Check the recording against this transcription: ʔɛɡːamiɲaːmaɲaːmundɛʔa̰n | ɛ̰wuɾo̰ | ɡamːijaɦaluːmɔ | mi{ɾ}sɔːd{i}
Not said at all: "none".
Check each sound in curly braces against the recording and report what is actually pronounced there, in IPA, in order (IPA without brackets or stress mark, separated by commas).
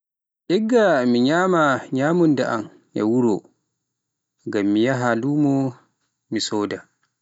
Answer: none, a